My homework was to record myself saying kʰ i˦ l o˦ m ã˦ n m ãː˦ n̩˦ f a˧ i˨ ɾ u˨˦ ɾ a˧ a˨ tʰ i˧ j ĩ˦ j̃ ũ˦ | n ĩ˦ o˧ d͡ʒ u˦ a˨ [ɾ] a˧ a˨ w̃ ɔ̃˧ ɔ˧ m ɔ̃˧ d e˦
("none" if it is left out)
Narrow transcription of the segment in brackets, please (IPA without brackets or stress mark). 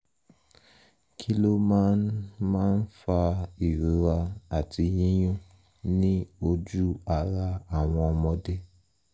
ɾ